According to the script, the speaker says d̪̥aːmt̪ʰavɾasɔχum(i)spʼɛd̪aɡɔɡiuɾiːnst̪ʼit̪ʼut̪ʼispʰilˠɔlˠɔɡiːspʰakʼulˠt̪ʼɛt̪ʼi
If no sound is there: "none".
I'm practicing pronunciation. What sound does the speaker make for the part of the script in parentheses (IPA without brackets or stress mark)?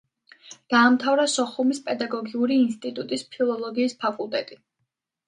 i